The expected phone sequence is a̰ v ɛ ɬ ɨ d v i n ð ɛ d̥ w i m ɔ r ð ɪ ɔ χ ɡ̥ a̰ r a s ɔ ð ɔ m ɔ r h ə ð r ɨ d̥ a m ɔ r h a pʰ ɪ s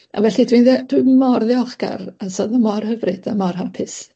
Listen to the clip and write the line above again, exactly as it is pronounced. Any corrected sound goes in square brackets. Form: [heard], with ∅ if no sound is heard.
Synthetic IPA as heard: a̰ v ɛ ɬ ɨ d [w] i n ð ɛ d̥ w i m ɔ r ð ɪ ɔ χ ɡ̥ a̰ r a s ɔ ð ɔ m ɔ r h ə [v] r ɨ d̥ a m ɔ r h a pʰ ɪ s

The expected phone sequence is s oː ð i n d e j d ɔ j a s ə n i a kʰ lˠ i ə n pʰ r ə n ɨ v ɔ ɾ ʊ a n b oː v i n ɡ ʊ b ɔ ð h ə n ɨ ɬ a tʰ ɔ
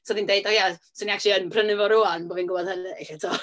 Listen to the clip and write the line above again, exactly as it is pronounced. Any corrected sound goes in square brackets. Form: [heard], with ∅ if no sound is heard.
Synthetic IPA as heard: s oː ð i n d e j d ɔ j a s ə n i a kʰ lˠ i ə n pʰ r ə n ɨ v ɔ ɾ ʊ a n b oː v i n ɡ ʊ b ɔ ð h ə n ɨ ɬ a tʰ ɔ

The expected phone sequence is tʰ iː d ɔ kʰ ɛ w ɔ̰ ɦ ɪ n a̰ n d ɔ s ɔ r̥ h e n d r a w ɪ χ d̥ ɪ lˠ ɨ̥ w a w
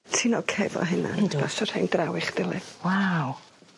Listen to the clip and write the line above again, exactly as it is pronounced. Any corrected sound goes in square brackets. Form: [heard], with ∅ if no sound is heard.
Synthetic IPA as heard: tʰ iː [n] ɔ kʰ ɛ [v] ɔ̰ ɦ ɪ n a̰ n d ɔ s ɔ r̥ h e n d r a w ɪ χ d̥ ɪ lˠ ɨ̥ w a w

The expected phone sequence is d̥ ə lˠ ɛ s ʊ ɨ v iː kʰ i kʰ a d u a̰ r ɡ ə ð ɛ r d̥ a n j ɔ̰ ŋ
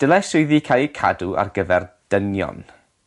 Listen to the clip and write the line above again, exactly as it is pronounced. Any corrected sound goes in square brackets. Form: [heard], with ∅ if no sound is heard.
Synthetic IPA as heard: d̥ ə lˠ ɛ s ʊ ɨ [ð] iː kʰ [a] kʰ a d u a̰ r ɡ ə [v] ɛ r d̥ [ə] n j ɔ̰ [n]

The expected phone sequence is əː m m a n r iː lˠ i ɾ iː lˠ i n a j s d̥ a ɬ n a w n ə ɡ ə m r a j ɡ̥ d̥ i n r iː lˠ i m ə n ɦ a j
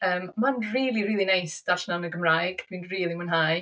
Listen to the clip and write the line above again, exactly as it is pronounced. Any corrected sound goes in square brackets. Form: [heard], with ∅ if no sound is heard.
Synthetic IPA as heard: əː m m a n r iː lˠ i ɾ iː lˠ i n a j s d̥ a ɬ n a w n ə ɡ ə m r a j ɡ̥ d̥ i n r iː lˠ i m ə n ɦ a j

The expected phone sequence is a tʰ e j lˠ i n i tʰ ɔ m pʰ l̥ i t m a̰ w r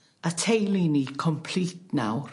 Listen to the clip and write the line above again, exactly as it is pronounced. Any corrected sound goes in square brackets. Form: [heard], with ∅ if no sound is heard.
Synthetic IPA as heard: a tʰ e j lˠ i n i [kʰ] ɔ m pʰ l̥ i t [n] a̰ w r

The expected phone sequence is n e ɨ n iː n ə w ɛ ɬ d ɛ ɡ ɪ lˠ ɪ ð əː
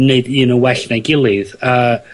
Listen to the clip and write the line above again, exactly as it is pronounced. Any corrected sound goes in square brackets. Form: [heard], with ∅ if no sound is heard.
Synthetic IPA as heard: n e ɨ [d] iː n ə w ɛ ɬ [n] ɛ ɡ ɪ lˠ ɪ ð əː

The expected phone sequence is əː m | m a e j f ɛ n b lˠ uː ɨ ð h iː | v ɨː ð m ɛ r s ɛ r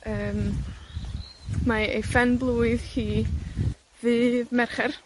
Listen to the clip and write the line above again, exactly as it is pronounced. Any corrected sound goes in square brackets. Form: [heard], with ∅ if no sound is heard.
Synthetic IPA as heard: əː m | m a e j f ɛ n b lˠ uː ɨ ð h iː | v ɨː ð m ɛ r [χ] ɛ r

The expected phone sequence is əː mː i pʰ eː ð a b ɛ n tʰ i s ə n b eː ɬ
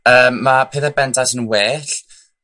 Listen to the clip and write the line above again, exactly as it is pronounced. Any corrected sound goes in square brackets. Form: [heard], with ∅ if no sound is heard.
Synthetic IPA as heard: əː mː [a] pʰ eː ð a b ɛ n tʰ [a] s ə n [w] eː ɬ

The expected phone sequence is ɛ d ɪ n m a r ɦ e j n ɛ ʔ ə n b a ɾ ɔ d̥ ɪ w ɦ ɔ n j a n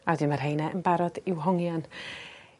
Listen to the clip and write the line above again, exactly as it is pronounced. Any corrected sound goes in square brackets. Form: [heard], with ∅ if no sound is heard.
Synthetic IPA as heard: [a] d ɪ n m a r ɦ e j n ɛ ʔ ə n b a ɾ ɔ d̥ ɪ w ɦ ɔ [ŋ] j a n

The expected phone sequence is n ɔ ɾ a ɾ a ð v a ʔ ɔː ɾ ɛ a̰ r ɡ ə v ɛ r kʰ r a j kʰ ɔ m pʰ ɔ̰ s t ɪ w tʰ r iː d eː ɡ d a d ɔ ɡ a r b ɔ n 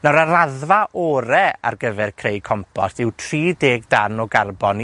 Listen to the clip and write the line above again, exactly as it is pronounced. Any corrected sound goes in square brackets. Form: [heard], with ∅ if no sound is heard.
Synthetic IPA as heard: n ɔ ɾ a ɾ a ð v a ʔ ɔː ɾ ɛ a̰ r ɡ ə v ɛ r kʰ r [e] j kʰ ɔ m pʰ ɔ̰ s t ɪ w tʰ r iː d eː ɡ d a [n] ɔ ɡ a r b ɔ n

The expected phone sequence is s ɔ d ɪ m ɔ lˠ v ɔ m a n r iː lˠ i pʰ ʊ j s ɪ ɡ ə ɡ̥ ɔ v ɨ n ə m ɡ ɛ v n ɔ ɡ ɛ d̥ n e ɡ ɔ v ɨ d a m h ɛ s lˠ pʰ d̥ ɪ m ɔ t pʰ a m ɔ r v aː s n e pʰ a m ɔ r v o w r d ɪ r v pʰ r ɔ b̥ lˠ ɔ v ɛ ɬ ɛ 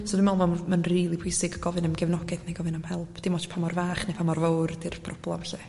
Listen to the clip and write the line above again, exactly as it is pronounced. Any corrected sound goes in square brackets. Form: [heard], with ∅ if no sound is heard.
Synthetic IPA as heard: s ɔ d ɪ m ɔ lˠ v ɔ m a n r iː lˠ i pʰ ʊ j s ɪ ɡ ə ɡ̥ ɔ v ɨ n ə m ɡ ɛ v n ɔ ɡ ɛ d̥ n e ɡ ɔ v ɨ [n] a m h ɛ [∅] lˠ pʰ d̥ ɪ m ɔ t pʰ a m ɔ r v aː [χ] n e pʰ a m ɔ r v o w r d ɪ r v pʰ r ɔ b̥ lˠ ɔ v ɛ ɬ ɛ

